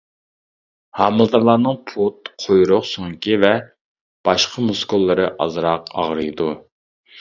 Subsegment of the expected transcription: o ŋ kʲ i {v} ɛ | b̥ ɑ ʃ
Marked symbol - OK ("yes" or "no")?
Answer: yes